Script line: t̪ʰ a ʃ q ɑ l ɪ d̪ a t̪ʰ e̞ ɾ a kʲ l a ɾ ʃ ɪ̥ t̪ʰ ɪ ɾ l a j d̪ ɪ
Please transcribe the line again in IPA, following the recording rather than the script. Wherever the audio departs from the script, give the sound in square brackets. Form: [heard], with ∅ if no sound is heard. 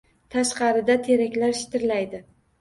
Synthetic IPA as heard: t̪ʰ a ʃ q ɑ [ɾ] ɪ d̪ a t̪ʰ e̞ ɾ a kʲ l a ɾ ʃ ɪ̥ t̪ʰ ɪ ɾ l a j d̪ ɪ